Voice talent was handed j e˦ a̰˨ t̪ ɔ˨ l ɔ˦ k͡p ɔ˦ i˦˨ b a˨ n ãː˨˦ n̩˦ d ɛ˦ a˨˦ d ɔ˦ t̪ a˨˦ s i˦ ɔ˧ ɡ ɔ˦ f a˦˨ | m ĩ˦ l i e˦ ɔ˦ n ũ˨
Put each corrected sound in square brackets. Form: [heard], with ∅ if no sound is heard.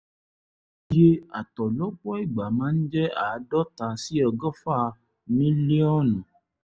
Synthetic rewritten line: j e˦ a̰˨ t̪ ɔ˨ l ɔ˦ k͡p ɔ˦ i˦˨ [ɡ͡b] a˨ [m] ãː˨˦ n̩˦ [d͡ʒ] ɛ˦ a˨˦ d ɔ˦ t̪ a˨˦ s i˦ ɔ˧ ɡ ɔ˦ f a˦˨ | m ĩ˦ l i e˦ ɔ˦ n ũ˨